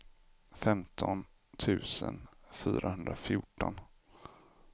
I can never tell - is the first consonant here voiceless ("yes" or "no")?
yes